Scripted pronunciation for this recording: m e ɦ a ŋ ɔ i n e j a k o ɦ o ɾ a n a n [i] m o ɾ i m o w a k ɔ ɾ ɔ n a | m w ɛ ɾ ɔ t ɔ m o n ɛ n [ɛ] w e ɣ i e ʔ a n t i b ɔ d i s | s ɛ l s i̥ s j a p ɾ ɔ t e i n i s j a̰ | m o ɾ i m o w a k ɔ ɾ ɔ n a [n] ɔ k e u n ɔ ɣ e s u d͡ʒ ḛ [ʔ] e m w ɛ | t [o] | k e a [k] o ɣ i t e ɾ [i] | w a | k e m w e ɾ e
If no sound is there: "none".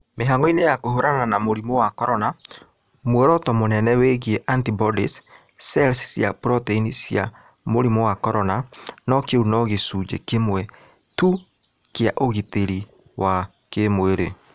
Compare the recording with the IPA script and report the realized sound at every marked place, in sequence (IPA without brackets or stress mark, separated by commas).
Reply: a, ɛ, n, k, u, ʔ, i